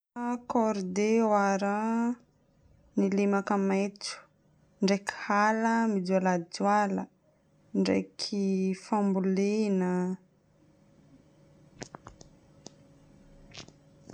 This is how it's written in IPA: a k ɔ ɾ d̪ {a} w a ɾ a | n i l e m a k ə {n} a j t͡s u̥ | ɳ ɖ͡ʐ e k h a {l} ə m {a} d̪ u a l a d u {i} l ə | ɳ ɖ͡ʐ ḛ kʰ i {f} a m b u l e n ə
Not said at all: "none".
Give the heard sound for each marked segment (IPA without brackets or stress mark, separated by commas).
e, m, l, i, a, f